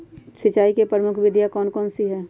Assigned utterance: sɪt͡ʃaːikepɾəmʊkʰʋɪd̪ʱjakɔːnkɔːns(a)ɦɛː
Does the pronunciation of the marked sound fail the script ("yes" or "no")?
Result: yes